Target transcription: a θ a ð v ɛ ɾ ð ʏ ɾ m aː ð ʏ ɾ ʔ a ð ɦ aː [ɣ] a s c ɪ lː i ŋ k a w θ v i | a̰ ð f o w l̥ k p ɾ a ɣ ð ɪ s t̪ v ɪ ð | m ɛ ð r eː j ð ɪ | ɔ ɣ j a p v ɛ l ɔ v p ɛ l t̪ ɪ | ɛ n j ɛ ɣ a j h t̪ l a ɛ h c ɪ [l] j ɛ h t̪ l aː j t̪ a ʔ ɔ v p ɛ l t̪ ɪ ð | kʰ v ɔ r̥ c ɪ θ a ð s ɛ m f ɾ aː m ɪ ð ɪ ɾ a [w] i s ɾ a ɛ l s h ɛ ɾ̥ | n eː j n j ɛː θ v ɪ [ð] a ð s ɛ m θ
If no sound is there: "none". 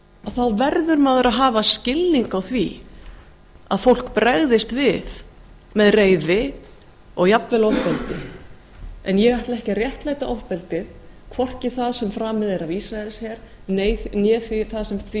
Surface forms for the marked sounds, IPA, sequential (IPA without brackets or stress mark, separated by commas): v, r, v, θ